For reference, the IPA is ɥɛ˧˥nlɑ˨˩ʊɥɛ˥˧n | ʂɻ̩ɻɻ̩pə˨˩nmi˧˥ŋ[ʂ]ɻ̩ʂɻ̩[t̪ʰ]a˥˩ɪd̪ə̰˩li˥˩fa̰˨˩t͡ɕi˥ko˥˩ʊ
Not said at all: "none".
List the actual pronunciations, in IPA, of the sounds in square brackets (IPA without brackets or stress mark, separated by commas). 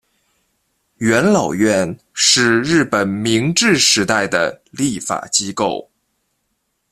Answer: ʈ͡ʂ, t̪